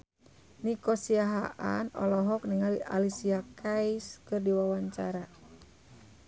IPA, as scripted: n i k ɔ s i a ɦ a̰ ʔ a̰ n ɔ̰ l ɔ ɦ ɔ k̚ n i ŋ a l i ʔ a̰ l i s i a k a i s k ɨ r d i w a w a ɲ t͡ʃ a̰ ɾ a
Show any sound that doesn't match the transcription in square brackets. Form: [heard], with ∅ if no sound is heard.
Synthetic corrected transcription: n i k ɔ s i a ɦ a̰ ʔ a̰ n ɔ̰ l ɔ ɦ ɔ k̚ n i ŋ a l i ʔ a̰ l i s i a k a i s k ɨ r d i w a w a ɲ t͡ʃ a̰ ɾ a